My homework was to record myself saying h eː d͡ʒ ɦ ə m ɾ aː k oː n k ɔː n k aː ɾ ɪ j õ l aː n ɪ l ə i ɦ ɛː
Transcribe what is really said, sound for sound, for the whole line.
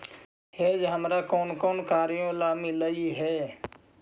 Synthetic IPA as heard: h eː d͡ʒ ɦ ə m ɾ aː k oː n k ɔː n k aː ɾ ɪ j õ l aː m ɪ l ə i ɦ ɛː